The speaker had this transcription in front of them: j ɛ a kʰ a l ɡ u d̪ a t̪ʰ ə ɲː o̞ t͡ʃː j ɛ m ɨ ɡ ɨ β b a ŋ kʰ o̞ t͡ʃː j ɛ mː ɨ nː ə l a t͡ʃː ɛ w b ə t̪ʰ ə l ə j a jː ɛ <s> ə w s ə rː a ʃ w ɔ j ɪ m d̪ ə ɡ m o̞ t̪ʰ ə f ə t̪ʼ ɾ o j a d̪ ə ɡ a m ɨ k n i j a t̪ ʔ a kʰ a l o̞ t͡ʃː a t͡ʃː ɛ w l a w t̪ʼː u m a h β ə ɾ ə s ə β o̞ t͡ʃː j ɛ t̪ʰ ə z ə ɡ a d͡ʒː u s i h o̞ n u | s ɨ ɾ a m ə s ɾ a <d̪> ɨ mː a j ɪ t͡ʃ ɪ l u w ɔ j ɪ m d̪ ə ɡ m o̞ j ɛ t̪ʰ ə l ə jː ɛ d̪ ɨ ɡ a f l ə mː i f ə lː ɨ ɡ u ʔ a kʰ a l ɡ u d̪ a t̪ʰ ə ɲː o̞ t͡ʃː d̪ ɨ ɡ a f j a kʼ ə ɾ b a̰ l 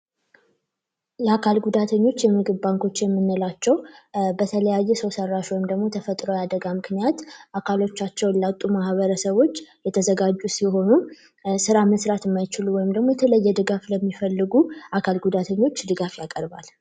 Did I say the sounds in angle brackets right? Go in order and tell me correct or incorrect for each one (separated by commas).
correct, incorrect